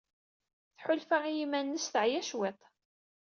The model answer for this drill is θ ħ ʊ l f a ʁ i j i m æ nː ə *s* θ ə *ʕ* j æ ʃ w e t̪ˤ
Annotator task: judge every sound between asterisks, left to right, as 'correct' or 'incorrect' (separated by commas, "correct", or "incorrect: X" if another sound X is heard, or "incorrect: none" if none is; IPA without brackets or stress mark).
correct, correct